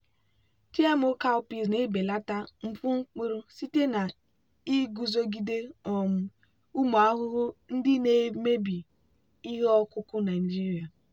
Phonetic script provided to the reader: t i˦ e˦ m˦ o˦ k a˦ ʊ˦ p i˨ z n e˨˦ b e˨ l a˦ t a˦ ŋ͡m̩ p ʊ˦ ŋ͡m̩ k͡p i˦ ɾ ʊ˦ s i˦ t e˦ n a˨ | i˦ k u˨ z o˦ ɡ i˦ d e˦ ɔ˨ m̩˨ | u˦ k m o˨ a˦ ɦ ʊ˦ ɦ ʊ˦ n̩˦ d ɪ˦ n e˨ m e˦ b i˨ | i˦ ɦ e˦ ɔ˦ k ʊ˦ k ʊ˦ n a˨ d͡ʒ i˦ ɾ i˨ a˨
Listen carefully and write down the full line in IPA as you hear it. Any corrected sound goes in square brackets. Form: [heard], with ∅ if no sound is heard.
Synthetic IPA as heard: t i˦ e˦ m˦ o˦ k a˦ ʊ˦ p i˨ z n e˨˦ b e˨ l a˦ t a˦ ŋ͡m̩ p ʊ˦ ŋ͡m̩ k͡p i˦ ɾ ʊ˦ s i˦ t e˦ n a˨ | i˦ [ɡ] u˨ z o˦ ɡ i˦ d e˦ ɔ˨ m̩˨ | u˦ [∅] m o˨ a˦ ɦ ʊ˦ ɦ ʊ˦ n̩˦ d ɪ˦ n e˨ m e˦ b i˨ | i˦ ɦ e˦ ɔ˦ k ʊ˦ k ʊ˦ n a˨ d͡ʒ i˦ ɾ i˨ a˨